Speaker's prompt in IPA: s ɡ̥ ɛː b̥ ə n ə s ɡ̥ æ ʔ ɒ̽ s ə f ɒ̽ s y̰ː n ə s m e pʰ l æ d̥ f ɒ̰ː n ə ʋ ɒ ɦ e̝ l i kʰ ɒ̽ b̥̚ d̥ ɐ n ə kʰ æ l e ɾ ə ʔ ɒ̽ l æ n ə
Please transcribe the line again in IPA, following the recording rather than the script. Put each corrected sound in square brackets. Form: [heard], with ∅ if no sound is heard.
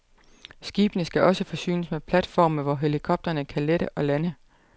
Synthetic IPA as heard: s ɡ̥ [iː] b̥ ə n ə s ɡ̥ æ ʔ ɒ̽ s ə f ɒ̽ s y̰ː n ə s m e pʰ l æ d̥ f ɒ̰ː [m] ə ʋ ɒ ɦ e̝ l i kʰ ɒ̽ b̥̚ d̥ ɐ n ə kʰ æ l e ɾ ə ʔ ɒ̽ l æ n ə